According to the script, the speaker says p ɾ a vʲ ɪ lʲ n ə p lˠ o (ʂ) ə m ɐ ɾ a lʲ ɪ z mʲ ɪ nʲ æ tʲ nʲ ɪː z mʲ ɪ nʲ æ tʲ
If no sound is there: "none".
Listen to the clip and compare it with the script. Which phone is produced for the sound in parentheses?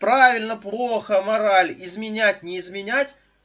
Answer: x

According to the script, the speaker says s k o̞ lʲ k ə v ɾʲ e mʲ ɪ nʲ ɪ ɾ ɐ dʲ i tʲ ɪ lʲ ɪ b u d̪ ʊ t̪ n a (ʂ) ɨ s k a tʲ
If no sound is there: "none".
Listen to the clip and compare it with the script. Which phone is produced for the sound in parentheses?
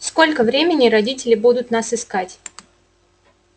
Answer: s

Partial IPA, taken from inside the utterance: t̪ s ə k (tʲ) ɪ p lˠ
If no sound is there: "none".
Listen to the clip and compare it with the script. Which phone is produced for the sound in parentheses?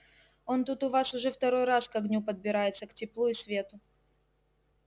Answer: tʲ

